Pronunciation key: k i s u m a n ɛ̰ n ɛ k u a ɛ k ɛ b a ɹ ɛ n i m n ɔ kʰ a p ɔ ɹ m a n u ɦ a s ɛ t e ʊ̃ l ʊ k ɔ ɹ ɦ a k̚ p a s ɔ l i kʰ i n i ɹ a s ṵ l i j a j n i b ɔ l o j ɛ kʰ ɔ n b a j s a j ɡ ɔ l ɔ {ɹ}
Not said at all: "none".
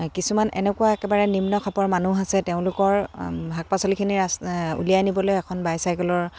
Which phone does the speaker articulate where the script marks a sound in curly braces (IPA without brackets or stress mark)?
ɹ